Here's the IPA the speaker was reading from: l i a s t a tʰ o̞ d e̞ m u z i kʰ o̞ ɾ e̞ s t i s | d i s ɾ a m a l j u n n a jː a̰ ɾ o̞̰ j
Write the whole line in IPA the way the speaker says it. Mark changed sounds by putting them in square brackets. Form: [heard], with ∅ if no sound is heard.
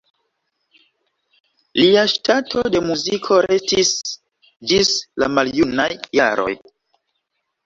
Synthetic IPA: l i a [ʃ] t a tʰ o̞ d e̞ m u z i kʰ o̞ ɾ e̞ s t i s | [d͡ʒ] i s [l] a m a l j u n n a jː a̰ ɾ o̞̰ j